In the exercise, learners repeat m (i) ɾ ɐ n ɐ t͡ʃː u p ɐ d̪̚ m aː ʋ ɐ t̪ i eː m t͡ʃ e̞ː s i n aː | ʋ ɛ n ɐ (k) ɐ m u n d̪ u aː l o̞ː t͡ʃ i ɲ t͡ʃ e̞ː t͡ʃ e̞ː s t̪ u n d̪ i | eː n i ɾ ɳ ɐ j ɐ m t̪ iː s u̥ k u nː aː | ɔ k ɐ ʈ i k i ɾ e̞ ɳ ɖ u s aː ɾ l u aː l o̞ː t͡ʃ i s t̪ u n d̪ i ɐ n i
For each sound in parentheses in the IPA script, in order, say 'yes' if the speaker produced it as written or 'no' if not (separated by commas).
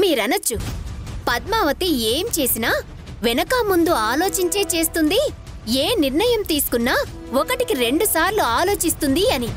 no, yes